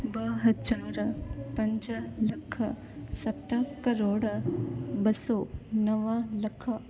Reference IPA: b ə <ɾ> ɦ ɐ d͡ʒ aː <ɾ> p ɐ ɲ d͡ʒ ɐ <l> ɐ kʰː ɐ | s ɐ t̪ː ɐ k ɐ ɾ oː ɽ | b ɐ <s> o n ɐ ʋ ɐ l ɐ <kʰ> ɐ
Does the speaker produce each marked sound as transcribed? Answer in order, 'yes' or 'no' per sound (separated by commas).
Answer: no, yes, yes, yes, yes